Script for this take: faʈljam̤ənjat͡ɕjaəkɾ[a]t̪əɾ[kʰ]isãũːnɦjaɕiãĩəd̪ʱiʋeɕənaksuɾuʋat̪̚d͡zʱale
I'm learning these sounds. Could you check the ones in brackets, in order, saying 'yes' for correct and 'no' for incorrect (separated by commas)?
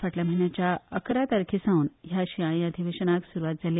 yes, yes